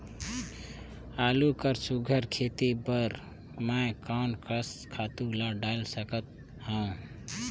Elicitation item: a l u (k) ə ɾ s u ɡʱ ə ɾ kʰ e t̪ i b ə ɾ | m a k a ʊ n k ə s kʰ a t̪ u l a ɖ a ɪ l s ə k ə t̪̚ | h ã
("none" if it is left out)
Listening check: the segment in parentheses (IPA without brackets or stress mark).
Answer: k